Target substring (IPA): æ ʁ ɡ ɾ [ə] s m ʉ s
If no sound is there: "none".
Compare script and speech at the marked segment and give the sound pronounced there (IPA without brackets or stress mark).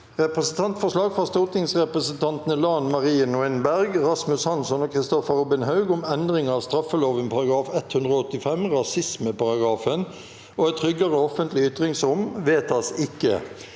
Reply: ɑ